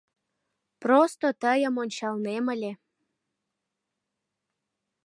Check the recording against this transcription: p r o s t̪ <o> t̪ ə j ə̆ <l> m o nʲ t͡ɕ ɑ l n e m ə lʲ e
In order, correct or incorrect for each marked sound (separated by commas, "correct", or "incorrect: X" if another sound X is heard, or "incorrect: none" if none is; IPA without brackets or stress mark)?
correct, incorrect: none